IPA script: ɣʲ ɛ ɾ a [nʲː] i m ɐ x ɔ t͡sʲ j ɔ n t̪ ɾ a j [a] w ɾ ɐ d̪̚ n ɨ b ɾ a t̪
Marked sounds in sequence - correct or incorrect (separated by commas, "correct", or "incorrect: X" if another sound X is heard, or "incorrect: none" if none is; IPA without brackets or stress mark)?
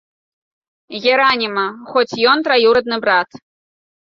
incorrect: nʲ, incorrect: i